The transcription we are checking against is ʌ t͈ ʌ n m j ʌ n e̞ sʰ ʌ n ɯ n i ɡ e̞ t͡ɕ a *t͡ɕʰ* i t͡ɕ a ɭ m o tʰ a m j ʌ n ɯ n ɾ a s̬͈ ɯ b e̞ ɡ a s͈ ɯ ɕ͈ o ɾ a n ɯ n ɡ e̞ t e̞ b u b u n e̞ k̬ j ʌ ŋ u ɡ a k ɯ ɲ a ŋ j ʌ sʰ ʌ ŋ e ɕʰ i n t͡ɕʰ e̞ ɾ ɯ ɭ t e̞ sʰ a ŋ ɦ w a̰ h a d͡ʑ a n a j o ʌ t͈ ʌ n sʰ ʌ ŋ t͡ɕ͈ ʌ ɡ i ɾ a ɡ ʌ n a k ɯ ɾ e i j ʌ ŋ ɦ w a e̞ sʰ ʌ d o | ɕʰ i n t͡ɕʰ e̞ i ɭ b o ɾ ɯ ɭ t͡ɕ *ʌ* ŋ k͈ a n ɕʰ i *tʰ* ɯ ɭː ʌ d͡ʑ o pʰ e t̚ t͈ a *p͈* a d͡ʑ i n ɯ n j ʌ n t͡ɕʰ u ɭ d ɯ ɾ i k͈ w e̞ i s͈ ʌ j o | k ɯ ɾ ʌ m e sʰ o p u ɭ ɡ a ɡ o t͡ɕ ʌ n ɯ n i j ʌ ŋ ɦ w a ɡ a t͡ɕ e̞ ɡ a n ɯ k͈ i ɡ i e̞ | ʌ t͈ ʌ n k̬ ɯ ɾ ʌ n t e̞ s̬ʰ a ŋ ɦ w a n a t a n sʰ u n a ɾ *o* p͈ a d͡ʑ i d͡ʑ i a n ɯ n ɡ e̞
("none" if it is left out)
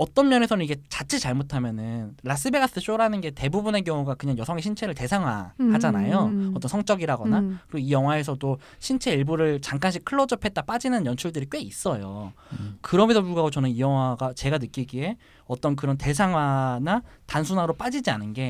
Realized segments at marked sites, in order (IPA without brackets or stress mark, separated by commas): t͡ɕʰ, a, kʰ, p͈, o